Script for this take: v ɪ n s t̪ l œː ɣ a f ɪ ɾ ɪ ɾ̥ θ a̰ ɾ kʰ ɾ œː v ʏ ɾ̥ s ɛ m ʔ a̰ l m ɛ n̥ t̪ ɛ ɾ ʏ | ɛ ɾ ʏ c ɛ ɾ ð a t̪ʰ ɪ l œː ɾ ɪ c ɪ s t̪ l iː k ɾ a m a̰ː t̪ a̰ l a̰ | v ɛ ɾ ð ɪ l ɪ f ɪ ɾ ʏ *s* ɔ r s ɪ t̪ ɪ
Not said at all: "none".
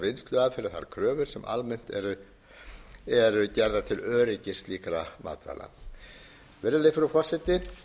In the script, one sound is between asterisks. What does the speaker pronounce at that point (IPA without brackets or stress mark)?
f